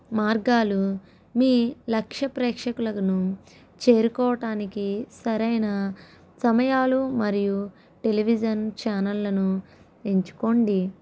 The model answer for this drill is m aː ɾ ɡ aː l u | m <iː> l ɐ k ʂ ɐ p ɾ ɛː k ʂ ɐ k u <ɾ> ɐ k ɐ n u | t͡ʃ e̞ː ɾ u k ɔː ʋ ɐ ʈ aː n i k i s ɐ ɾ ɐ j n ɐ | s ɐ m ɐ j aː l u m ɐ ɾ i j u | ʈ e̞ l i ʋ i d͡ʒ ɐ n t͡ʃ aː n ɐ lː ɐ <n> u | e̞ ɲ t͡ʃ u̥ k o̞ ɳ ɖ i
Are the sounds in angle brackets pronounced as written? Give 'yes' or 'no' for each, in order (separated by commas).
yes, no, yes